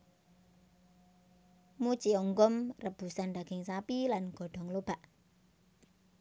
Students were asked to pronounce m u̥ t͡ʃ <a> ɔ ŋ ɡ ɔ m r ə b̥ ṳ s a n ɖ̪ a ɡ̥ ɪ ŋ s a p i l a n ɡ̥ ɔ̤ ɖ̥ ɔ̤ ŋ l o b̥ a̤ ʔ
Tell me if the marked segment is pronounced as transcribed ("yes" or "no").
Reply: no